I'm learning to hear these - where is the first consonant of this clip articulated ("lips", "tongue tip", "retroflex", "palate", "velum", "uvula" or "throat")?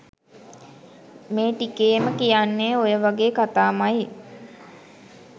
lips